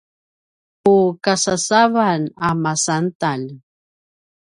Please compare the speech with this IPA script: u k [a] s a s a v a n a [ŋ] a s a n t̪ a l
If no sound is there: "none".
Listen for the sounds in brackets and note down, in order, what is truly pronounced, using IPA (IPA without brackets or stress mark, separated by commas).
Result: a, m